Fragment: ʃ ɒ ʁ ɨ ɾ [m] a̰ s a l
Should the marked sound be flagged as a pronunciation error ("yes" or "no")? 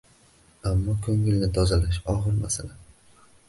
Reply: no